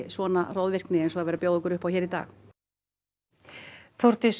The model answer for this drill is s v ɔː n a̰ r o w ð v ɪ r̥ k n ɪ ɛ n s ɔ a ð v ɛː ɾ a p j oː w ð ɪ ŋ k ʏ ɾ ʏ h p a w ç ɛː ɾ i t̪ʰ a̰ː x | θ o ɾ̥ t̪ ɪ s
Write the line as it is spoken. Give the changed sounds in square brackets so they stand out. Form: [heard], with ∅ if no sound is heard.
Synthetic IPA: s v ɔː n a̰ r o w ð v ɪ r̥ k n ɪ ɛ n s ɔ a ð v ɛː ɾ a p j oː w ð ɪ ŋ k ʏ ɾ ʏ h p a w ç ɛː ɾ i [t̪] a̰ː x | θ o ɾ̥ t̪ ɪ s

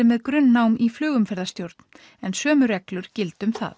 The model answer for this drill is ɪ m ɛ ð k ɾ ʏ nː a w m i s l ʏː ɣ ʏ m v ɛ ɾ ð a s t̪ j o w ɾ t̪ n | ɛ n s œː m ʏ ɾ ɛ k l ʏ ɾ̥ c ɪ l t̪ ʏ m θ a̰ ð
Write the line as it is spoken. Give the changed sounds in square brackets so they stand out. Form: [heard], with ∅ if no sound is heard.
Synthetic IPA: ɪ m ɛ ð k ɾ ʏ nː a w m i [f] l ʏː ɣ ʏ m [f] ɛ ɾ ð a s t̪ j o w ɾ t̪ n | ɛ n s œː m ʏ ɾ ɛ k l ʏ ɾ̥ c ɪ l t̪ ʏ m θ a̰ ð

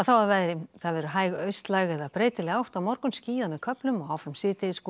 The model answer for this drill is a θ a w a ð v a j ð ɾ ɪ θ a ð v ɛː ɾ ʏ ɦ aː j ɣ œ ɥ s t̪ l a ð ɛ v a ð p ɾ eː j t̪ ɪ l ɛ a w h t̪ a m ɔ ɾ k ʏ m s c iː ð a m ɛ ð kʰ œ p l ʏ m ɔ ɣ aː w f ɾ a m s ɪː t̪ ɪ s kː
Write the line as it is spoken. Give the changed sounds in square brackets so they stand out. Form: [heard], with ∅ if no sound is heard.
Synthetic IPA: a θ a w a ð v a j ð ɾ ɪ θ a ð v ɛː ɾ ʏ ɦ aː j ɣ œ ɥ s t̪ l a [ɣ] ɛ [ð] a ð p ɾ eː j t̪ ɪ l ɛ a w h t̪ a m ɔ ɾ k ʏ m s c iː ð a m ɛ ð kʰ œ p l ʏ m ɔ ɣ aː w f ɾ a m s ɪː t̪ ɪ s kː

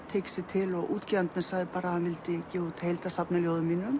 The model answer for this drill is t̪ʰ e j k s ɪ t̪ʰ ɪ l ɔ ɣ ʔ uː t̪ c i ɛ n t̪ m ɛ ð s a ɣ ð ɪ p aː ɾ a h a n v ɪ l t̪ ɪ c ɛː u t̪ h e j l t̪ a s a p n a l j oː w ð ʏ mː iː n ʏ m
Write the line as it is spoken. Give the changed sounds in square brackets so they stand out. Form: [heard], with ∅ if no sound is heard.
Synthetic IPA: t̪ʰ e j k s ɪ t̪ʰ ɪ l ɔ ɣ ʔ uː t̪ c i [a] n t̪ m ɛ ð s a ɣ ð ɪ p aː ɾ a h a n v ɪ l t̪ ɪ c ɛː u t̪ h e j l t̪ a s a p n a l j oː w ð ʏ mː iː n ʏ m

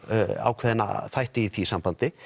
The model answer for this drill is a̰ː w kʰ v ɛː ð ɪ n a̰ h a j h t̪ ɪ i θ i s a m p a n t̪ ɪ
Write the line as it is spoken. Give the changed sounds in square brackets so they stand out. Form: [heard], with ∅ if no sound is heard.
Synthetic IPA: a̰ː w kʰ v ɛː ð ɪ n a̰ [θ] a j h t̪ ɪ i θ i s a m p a n t̪ ɪ

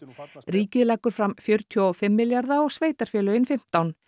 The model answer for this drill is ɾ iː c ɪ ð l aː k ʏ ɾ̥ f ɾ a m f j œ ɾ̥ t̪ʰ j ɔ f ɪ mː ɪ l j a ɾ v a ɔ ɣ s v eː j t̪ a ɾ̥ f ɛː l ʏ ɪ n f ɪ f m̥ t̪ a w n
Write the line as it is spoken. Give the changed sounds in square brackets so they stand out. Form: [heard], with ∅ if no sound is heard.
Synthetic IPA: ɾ iː c ɪ ð l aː k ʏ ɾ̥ f ɾ a m f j œ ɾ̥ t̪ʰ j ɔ f ɪ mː ɪ l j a ɾ [ð] a ɔ ɣ s v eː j t̪ a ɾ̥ f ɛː l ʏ ɪ n f ɪ [∅] m̥ t̪ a w n

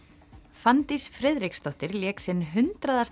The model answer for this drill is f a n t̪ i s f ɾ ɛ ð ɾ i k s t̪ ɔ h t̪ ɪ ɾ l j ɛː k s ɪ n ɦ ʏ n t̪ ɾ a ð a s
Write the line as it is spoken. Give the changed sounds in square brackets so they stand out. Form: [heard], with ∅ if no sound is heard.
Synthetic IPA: f a n t̪ i s f ɾ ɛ ð ɾ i k s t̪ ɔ h t̪ ɪ ɾ l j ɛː k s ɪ n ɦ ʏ n t̪ ɾ a ð a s

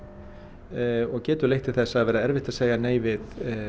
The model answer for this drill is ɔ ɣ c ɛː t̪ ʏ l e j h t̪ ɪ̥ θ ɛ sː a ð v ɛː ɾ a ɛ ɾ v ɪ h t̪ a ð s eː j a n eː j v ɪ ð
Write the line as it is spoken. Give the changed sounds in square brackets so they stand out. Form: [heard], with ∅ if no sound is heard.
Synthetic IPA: ɔ ɣ c ɛː t̪ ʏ l e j h t̪ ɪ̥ θ ɛ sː a ð v ɛː ɾ a ɛ ɾ v ɪ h t̪ a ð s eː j a n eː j v ɪ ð

